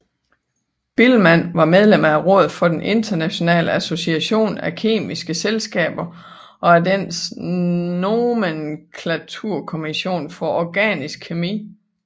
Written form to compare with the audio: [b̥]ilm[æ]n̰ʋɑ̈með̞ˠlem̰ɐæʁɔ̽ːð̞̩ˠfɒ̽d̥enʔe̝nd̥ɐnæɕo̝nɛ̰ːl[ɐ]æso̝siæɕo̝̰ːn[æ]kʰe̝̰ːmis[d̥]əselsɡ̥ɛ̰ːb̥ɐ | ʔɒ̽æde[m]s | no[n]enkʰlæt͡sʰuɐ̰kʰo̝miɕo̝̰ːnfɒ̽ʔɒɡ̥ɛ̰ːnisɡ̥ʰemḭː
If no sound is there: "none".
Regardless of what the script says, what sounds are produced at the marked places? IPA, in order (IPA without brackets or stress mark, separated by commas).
b̥, æ, ə, æ, ɡ̥, n, m